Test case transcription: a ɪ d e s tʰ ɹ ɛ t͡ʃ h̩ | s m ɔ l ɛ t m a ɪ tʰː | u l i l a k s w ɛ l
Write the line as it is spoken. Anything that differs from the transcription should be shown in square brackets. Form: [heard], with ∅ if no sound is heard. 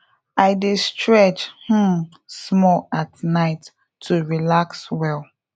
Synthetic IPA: a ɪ d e s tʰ ɹ ɛ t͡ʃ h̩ | s m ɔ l [a] t [n] a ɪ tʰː | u [ɹ] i l a k s w ɛ l